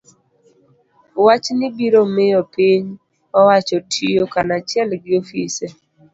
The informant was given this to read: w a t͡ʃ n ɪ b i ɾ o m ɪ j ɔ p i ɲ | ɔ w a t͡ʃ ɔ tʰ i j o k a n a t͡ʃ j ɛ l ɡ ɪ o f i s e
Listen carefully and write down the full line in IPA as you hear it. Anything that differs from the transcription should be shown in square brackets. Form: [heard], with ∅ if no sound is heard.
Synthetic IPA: w a t͡ʃ n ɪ b i ɾ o m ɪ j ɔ p i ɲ | ɔ w a t͡ʃ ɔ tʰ i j o k a n a t͡ʃ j ɛ l ɡ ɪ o f i s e